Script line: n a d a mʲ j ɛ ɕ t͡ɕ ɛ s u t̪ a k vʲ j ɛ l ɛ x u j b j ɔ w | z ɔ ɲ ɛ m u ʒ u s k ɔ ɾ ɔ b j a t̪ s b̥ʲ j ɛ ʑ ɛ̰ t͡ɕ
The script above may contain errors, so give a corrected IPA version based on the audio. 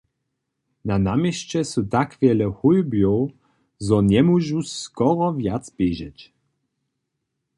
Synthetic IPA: n a n a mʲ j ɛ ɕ t͡ɕ ɛ s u t̪ a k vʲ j ɛ l ɛ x u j b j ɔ w | z ɔ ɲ ɛ m u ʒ u s k ɔ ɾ ɔ v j a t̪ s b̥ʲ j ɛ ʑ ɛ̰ t͡ɕ